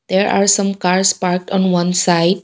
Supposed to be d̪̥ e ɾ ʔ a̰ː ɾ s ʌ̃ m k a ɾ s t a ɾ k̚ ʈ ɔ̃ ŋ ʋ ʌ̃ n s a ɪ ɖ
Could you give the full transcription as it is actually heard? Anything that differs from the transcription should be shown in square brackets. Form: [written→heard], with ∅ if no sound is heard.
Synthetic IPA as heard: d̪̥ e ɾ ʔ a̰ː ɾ s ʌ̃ m k a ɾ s [t→p] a ɾ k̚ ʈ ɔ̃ [ŋ→n] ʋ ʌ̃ n s a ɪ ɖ